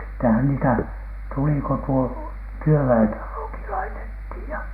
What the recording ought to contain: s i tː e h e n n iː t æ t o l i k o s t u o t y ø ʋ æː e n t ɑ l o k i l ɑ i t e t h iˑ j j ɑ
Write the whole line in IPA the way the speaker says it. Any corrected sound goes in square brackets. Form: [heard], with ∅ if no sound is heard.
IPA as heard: s i tː e h [æ] n n iː t æ t [u] l i k o [∅] t u o t y ø ʋ [æ] e n t ɑ l o k i l ɑ i t e t h iˑ j j ɑ